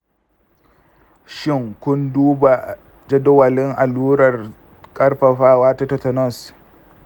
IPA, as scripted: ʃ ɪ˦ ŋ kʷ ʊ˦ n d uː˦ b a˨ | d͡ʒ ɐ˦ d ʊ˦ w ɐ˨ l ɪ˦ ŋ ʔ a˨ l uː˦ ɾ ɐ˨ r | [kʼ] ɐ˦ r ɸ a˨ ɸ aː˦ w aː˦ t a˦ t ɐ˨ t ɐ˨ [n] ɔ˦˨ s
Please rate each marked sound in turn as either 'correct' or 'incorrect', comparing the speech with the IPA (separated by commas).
correct, correct